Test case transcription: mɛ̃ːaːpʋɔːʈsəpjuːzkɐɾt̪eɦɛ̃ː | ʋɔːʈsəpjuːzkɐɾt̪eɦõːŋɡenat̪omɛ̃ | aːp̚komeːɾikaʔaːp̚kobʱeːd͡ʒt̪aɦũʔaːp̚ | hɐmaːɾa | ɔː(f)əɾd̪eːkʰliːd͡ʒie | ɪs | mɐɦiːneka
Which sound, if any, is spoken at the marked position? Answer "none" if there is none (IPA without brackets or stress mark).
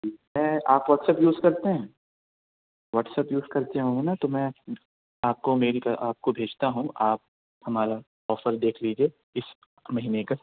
f